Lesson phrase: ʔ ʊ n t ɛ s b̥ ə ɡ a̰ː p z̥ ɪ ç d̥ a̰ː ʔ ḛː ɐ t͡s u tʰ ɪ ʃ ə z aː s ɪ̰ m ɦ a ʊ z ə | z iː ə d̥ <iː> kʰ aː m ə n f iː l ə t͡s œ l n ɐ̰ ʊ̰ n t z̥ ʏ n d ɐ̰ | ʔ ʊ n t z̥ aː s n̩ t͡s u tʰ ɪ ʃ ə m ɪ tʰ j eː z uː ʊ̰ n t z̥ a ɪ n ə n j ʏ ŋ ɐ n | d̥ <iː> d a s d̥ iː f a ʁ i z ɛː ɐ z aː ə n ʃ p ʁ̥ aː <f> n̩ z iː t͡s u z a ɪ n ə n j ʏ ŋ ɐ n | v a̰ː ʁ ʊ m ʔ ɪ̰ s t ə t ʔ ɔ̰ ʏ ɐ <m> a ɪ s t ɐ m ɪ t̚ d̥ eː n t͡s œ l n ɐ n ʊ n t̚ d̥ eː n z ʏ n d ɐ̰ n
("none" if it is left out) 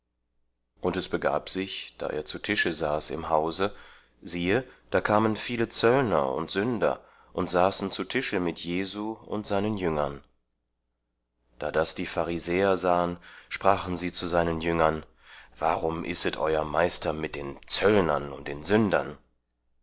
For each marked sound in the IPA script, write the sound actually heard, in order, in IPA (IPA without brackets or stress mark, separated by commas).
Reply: aː, aː, χ, m